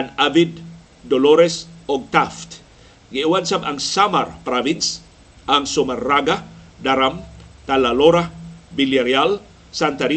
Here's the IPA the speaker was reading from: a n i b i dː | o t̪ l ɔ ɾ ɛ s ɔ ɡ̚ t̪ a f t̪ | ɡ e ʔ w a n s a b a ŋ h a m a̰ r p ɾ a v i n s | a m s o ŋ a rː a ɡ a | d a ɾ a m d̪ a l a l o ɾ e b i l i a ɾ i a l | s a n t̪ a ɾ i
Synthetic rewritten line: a n a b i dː | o l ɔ ɾ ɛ s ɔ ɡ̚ t̪ a f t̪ | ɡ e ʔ w a n s a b a ŋ s a m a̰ r p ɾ a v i n s | a ŋ s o m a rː a ɡ a | d a ɾ a m t̪ a l a l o ɾ a b i l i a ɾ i a l | s a n t̪ a ɾ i